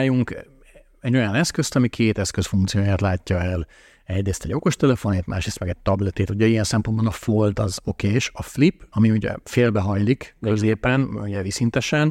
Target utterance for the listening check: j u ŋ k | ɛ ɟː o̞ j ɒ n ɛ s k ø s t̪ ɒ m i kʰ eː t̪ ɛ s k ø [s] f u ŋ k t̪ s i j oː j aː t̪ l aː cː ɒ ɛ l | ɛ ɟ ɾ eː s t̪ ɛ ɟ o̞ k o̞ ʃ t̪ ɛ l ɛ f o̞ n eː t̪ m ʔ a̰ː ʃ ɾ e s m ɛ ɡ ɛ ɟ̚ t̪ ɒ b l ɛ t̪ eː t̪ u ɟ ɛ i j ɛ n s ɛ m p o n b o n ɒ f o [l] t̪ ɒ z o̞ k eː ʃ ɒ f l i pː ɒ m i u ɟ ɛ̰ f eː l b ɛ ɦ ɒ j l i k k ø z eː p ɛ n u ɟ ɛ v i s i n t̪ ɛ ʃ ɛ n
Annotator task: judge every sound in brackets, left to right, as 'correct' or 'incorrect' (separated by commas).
correct, correct